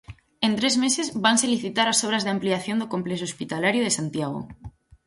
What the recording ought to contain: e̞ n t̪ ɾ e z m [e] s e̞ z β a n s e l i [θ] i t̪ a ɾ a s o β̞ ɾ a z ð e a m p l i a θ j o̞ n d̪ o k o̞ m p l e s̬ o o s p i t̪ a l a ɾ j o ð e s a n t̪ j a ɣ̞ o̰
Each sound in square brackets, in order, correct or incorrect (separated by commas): correct, correct